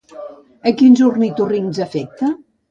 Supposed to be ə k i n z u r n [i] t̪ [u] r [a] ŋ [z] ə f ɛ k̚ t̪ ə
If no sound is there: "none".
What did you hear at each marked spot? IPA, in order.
i, u, i, z

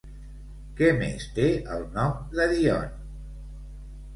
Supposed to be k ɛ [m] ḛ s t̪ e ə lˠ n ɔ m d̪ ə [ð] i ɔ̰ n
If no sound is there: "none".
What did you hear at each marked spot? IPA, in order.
m, ð

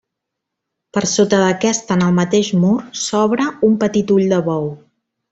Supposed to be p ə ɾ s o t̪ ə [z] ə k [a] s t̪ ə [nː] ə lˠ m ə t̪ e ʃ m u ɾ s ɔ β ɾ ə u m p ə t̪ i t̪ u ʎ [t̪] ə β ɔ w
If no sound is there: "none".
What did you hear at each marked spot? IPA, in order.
ð, ɛ, n, d̪

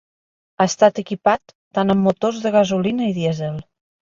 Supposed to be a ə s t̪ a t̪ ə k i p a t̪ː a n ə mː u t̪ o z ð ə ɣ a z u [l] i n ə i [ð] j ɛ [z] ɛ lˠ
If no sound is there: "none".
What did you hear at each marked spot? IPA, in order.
l, ð, z

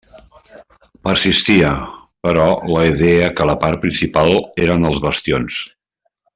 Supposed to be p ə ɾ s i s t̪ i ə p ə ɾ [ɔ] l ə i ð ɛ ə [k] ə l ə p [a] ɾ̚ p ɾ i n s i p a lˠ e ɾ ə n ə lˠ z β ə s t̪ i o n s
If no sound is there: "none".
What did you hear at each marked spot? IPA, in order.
ɔ, k, a

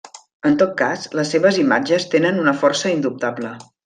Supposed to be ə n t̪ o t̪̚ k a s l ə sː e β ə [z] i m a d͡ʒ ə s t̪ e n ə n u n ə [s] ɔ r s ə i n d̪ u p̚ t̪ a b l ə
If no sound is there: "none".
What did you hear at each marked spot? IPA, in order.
z, f

